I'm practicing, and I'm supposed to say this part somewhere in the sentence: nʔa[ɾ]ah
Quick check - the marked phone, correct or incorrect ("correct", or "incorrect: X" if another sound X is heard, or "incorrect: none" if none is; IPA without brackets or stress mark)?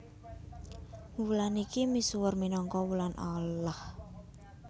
incorrect: l